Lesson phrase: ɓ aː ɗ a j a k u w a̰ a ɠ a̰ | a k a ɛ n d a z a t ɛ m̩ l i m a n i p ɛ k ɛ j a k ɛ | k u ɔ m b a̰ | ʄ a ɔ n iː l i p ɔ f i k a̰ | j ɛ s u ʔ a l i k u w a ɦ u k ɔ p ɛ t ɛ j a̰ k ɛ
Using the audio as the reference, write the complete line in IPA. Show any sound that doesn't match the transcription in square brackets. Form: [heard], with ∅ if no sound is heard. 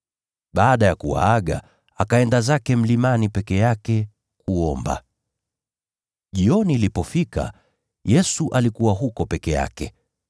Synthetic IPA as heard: ɓ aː ɗ a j a k u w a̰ a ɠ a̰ | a k a ɛ n d a z a [k] ɛ m̩ l i m a n i p ɛ k ɛ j a k ɛ | k u ɔ m b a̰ | ʄ [i] ɔ n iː l i p ɔ f i k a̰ | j ɛ s u ʔ a l i k u w a ɦ u k ɔ p ɛ [k] ɛ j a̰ k ɛ